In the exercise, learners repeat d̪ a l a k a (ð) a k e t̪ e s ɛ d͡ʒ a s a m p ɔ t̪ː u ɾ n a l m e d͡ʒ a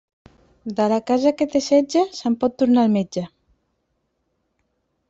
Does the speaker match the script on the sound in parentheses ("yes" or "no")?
no